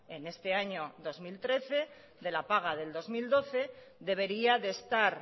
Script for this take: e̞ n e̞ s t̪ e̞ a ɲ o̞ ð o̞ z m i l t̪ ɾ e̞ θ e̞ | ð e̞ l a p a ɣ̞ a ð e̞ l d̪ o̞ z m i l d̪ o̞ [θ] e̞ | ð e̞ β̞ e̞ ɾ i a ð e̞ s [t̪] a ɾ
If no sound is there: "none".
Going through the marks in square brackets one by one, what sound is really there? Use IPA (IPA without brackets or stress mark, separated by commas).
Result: θ, t̪